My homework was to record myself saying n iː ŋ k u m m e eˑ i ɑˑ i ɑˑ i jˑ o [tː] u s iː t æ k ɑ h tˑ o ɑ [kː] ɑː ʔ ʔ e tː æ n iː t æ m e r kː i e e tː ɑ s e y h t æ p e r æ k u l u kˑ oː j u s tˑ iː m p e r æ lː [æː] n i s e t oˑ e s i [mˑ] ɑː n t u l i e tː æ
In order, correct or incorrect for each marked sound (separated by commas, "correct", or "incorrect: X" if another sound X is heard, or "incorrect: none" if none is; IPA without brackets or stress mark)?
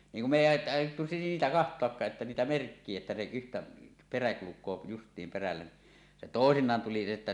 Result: correct, correct, incorrect: æ, incorrect: nˑ